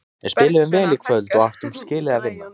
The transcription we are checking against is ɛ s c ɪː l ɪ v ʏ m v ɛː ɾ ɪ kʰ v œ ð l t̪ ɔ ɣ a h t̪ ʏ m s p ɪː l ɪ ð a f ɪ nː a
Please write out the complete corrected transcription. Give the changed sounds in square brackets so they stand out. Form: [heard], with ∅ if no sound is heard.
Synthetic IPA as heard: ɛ s [p] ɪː l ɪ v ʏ m v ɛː [l] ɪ kʰ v œ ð l t̪ ɔ ɣ a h t̪ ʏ m s [c] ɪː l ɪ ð a [v] ɪ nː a